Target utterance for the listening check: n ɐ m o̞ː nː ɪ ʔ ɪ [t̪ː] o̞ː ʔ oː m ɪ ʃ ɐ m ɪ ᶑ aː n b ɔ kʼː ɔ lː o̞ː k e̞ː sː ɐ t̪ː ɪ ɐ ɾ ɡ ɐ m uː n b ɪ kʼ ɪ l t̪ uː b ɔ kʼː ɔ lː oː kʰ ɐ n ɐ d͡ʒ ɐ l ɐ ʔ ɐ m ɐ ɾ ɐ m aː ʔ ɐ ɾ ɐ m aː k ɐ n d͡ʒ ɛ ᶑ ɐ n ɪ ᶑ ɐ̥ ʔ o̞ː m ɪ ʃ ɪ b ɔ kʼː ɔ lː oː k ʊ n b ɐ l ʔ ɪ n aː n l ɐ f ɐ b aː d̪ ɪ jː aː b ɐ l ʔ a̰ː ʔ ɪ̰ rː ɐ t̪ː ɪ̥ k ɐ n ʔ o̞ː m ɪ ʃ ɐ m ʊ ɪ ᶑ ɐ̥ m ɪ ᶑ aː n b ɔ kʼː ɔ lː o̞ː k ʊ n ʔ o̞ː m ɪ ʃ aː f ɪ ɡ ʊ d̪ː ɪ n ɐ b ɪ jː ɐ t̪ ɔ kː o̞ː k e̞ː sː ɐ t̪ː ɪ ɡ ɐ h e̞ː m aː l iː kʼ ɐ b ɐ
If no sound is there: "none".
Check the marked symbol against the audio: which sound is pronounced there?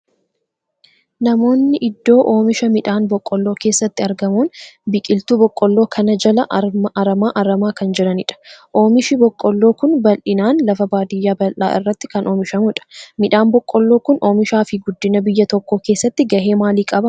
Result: d̪ː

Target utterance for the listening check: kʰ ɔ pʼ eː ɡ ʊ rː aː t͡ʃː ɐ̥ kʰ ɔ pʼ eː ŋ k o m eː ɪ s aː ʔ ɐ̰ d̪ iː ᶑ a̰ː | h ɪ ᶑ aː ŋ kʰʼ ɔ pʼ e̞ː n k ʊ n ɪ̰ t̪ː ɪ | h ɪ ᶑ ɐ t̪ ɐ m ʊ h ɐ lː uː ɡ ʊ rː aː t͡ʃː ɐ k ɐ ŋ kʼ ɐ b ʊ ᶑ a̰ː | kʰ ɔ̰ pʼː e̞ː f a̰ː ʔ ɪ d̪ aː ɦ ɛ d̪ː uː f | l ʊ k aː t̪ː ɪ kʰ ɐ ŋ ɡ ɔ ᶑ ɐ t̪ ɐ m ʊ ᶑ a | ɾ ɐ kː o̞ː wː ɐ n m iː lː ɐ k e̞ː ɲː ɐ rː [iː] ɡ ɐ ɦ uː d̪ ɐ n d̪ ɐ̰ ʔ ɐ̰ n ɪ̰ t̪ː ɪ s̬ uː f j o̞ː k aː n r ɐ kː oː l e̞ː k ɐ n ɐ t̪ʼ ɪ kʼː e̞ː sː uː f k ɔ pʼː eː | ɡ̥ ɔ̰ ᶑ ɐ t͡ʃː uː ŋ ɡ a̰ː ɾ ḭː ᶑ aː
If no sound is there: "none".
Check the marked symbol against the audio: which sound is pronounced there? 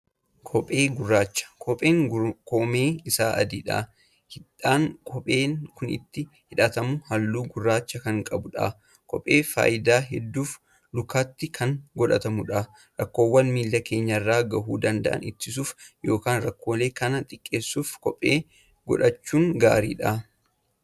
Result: aː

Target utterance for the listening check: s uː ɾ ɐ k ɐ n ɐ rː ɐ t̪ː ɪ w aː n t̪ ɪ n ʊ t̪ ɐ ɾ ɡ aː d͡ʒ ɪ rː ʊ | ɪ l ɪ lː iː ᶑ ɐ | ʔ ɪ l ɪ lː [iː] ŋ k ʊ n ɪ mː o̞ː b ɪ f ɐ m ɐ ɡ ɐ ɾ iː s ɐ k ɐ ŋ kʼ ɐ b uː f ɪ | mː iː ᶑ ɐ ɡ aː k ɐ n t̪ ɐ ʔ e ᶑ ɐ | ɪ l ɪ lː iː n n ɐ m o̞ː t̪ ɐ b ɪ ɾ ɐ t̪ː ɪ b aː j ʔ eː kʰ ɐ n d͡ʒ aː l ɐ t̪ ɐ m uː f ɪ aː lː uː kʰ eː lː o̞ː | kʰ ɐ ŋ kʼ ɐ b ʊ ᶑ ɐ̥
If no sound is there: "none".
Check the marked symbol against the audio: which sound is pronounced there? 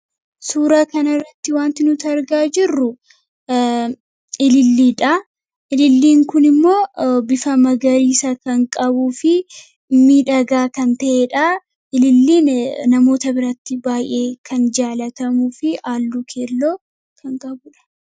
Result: iː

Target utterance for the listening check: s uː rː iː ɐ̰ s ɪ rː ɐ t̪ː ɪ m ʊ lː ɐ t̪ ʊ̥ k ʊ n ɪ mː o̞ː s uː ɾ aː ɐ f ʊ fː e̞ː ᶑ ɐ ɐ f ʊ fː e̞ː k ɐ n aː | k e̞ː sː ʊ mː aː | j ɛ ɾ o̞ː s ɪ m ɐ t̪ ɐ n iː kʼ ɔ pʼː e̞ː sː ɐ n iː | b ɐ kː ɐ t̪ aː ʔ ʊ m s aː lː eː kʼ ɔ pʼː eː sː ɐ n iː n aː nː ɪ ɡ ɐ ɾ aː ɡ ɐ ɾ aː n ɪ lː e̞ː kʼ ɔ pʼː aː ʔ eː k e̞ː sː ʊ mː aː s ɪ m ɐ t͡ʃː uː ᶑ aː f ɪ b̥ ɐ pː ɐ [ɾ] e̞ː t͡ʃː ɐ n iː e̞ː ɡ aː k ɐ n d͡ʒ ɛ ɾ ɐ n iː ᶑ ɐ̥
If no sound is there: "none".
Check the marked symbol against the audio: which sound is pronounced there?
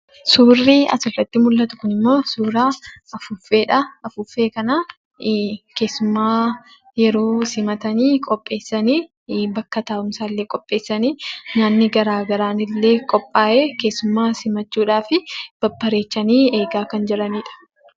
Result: ɾ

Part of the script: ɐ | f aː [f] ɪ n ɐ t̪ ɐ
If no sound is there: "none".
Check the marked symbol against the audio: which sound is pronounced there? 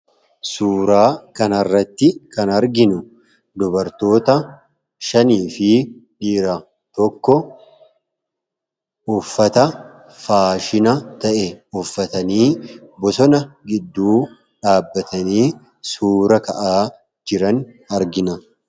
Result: ʃ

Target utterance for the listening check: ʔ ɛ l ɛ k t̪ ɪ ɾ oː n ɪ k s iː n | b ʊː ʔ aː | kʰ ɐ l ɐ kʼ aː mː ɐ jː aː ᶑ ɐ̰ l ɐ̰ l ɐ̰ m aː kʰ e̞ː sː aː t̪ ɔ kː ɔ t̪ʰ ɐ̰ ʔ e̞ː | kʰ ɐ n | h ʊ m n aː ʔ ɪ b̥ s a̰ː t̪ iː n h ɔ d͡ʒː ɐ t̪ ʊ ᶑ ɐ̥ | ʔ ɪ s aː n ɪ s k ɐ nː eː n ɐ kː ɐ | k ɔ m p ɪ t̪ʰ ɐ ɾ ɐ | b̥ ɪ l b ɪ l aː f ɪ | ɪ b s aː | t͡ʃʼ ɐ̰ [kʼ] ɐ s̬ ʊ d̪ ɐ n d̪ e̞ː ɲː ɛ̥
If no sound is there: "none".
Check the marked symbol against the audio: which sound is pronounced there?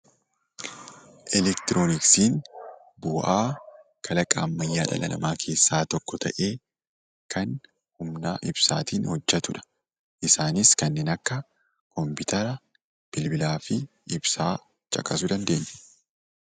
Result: kʼ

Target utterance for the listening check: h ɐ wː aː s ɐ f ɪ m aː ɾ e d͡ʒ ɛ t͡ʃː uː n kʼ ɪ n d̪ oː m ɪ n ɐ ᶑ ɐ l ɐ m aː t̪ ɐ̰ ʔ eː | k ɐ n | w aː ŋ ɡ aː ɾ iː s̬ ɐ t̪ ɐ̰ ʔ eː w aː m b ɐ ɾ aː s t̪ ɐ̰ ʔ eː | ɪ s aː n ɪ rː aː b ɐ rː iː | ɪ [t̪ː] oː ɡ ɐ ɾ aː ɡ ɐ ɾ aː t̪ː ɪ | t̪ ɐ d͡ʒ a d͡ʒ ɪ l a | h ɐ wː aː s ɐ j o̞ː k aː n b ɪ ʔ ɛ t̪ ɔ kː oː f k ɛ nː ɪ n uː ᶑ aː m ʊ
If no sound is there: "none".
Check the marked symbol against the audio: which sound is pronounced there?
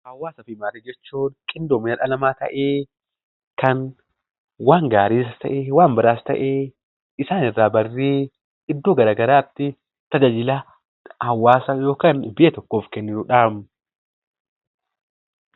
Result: d̪ː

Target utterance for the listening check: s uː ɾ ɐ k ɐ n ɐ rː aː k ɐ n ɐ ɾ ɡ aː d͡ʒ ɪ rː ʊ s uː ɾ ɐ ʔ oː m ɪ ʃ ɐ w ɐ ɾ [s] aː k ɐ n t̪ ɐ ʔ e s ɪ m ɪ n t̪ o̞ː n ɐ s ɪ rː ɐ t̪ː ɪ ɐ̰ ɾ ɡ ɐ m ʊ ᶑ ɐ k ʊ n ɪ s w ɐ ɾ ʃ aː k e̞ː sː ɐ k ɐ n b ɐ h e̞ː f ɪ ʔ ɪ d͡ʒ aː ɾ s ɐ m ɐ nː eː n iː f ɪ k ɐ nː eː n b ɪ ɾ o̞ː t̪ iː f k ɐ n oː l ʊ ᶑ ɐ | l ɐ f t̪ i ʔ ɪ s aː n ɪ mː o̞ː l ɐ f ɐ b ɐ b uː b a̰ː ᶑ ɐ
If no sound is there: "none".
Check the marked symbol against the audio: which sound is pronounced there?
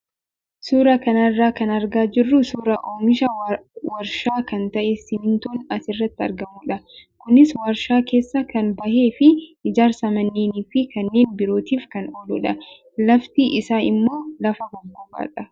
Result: ʃ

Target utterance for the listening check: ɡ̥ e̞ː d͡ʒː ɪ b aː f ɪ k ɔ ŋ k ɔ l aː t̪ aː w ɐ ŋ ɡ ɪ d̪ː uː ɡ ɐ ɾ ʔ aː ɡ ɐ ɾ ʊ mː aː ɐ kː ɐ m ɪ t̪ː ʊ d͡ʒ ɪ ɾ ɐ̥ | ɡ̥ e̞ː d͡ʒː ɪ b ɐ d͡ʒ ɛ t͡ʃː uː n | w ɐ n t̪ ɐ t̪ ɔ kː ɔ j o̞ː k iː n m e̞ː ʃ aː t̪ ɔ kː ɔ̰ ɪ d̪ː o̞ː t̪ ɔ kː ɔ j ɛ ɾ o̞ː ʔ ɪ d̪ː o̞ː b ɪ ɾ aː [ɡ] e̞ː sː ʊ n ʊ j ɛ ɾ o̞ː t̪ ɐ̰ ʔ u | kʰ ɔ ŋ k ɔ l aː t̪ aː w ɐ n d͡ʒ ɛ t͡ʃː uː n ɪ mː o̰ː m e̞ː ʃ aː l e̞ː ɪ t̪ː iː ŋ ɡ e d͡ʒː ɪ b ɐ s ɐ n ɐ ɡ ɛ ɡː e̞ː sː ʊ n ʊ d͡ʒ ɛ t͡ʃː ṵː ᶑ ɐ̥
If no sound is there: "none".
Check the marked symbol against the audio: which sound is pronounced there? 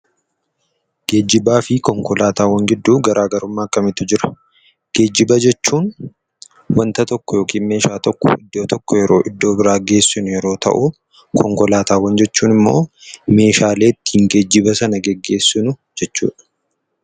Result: ɡ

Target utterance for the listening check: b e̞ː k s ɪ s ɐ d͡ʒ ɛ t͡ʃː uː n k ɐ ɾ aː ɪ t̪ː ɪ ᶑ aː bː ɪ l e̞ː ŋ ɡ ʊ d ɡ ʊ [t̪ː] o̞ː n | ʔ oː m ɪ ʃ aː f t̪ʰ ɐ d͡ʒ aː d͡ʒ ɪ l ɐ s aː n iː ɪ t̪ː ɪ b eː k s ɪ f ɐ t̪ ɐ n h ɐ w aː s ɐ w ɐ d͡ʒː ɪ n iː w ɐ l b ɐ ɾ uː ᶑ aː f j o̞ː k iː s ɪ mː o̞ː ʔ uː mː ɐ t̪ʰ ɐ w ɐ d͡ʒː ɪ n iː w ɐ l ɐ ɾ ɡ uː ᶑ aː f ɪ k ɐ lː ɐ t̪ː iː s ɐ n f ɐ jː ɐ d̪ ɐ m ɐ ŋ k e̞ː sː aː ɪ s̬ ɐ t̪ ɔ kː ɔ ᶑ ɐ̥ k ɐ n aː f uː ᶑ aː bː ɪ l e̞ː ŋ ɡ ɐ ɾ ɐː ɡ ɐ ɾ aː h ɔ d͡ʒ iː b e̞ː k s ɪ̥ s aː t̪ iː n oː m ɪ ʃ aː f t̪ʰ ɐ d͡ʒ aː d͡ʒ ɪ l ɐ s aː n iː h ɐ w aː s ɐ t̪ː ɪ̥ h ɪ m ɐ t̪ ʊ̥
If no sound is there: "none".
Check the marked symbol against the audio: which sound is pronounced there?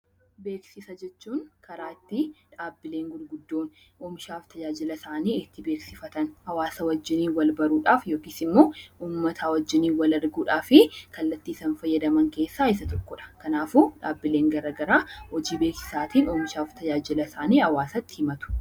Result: d̪ː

